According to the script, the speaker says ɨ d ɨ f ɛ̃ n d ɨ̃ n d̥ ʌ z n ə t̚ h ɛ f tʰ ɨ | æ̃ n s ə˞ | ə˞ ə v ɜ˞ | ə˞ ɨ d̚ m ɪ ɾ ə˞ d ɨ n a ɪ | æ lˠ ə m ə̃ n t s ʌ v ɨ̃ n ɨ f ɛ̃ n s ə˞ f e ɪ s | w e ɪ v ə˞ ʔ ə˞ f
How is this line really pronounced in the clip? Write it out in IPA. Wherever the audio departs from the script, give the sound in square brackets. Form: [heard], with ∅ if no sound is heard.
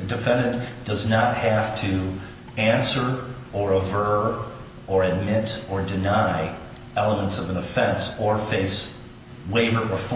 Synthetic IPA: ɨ d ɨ f ɛ̃ n d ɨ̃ n d̥ ʌ z n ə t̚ h [æ] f tʰ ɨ | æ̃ n s ə˞ | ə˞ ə v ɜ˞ | ə˞ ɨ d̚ m ɪ ɾ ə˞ d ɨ n a ɪ | [ɛ] lˠ ə m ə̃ n t s ʌ v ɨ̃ n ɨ f ɛ̃ n s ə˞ f e ɪ s | w e ɪ v ə˞ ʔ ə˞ f